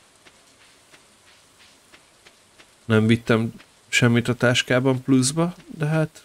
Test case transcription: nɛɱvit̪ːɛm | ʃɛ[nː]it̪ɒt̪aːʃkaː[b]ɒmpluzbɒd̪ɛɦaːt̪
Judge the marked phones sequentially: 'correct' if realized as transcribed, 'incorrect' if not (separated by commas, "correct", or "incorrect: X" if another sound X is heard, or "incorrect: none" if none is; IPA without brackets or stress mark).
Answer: incorrect: mː, correct